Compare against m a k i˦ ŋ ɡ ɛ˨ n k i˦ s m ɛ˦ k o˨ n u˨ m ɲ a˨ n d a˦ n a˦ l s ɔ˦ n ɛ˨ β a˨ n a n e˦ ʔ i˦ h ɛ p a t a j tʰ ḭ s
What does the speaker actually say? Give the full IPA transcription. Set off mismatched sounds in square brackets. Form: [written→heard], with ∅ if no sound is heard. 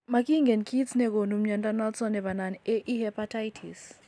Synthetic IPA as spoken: m a k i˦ ŋ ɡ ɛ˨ n k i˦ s [m→n] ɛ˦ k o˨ n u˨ m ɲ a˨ n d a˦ n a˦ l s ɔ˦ n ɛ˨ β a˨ n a n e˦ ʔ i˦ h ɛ p a t a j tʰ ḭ s